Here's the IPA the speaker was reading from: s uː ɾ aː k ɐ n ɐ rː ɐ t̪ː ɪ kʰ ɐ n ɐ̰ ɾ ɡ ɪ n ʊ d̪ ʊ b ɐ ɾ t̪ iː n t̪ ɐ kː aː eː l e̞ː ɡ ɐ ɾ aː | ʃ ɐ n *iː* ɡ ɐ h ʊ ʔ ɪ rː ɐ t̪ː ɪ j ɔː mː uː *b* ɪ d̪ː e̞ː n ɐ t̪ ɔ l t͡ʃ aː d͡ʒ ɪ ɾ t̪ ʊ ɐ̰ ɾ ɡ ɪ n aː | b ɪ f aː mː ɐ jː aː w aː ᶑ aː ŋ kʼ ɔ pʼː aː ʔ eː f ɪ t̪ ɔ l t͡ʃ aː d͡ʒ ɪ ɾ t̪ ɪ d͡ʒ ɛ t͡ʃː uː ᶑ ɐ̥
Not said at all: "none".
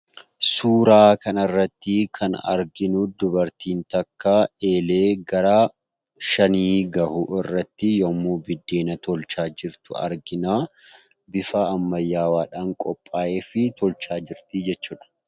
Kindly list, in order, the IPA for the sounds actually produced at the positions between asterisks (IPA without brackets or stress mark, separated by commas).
iː, b